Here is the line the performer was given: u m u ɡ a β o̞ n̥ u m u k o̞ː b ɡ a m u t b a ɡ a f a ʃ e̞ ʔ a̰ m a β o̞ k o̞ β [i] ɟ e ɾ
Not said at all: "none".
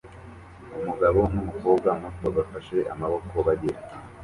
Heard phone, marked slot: a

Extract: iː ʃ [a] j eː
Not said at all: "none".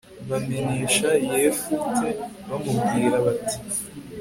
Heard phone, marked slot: a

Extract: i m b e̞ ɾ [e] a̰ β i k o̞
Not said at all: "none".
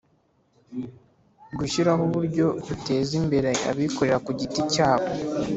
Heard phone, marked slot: e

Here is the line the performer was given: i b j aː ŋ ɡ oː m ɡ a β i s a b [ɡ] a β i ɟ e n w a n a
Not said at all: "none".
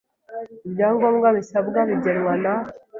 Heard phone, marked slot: ɡ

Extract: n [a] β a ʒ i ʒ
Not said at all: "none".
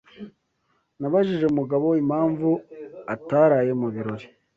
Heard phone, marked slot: a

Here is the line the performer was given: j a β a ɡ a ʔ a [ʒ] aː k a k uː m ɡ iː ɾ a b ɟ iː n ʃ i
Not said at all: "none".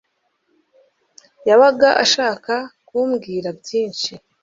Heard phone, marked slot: ʃ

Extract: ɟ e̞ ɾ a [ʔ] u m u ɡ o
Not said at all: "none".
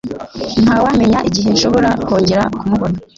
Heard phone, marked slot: k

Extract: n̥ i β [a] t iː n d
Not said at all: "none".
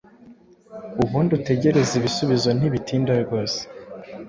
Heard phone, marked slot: i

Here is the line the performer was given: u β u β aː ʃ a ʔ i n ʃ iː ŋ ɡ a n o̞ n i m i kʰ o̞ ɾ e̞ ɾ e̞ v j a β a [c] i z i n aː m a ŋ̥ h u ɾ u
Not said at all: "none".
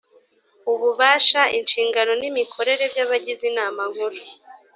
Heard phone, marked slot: ɟ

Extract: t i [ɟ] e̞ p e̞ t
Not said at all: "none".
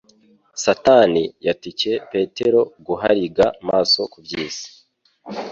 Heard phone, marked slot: c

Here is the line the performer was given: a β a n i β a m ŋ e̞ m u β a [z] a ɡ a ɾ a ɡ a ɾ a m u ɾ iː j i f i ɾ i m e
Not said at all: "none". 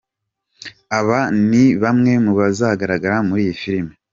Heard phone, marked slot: z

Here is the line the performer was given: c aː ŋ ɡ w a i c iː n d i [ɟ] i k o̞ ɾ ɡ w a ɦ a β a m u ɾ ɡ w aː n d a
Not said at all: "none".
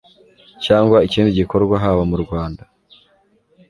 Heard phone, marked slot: ɟ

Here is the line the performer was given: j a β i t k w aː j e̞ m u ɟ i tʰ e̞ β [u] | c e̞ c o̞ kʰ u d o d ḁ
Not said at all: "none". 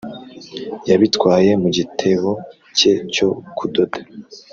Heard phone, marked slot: o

